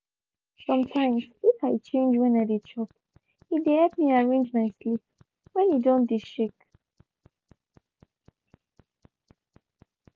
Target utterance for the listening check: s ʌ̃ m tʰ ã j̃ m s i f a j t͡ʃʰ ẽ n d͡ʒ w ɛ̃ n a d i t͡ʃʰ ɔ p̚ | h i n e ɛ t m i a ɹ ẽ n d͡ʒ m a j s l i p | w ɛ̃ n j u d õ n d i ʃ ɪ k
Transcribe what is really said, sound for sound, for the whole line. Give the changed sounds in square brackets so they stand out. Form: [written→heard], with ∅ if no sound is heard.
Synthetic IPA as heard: s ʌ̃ m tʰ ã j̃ m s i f a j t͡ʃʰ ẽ n d͡ʒ w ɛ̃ n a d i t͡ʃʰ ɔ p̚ | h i [n→d] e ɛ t m i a ɹ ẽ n d͡ʒ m a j s l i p | w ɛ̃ n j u d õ n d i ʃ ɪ k